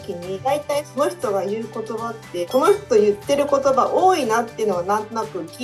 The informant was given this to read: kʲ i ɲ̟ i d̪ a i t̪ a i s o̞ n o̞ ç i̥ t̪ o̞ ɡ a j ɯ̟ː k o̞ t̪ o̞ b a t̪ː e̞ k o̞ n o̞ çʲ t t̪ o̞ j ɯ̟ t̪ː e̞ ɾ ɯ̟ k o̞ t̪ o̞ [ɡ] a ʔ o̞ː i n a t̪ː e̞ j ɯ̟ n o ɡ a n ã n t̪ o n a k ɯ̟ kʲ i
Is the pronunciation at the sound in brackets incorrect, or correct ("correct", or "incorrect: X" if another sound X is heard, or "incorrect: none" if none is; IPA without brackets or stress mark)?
incorrect: b